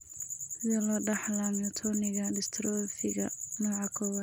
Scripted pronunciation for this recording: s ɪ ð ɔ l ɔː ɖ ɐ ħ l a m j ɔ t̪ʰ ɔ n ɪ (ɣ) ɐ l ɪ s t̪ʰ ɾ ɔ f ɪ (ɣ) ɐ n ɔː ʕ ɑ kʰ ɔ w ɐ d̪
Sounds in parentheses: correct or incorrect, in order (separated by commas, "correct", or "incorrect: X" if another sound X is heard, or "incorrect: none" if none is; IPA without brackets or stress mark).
correct, correct